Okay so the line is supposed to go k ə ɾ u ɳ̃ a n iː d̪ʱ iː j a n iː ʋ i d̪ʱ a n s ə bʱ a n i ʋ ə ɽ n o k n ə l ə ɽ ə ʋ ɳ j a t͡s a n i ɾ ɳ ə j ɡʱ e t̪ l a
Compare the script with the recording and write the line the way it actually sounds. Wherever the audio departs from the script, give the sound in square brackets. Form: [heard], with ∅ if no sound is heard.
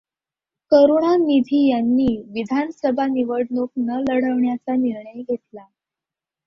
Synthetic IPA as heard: k ə ɾ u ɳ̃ a n [i] d̪ʱ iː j a [nː] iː ʋ i d̪ʱ a n s ə bʱ a n i ʋ ə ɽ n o k n ə l ə ɽ ə ʋ ɳ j a t͡s a n i ɾ ɳ ə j ɡʱ e t̪ l a